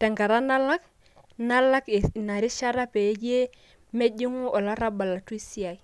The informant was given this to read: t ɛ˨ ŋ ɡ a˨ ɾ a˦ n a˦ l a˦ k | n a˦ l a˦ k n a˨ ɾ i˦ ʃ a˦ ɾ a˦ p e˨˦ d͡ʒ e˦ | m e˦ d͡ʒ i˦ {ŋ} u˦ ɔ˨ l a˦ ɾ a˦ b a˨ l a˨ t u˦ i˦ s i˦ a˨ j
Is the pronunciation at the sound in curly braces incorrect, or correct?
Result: correct